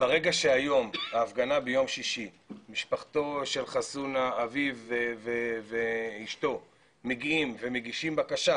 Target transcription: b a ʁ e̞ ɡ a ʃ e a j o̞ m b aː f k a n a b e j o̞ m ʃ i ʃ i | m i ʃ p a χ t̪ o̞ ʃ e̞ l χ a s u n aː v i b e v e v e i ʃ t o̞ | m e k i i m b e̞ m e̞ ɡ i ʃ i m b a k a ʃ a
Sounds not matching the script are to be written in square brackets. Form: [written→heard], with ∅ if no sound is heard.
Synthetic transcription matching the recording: b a ʁ e̞ ɡ a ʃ e a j o̞ m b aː f [k→ɡ] a n a b e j o̞ m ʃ i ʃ i | m i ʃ p a χ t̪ o̞ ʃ e̞ l χ a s u n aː v i [b→v] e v e v e i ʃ t o̞ | m e [k→ɡ] i i m [b→v] e̞ m e̞ ɡ i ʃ i m b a k a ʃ a